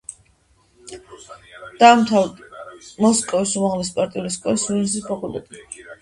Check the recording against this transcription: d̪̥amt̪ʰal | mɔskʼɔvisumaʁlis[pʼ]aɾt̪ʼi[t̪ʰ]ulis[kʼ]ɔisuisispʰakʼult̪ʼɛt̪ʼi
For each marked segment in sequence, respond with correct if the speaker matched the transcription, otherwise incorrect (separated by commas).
correct, incorrect, correct